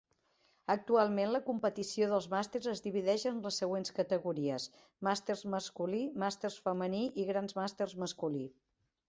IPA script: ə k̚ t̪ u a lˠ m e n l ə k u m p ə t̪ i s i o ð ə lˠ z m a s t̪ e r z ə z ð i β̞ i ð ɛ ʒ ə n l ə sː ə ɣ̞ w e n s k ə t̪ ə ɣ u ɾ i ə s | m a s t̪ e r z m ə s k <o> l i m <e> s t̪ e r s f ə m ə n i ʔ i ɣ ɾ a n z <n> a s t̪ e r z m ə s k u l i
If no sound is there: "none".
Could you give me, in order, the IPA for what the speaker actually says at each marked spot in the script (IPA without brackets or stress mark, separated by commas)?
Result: u, a, m